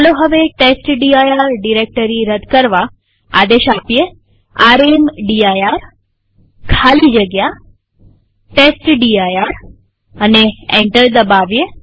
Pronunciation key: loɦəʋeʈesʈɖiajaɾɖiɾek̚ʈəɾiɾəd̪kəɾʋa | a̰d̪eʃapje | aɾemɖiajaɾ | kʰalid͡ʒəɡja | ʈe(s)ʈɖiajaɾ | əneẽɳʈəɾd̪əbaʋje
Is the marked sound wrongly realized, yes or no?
no